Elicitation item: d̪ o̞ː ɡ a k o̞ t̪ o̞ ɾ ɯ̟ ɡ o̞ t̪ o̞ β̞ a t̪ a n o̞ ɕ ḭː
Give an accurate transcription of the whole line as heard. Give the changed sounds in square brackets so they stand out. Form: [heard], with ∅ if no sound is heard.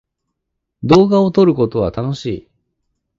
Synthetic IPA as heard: d̪ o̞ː ɡ a [∅] o̞ t̪ o̞ ɾ ɯ̟ [k] o̞ t̪ o̞ β̞ a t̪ a n o̞ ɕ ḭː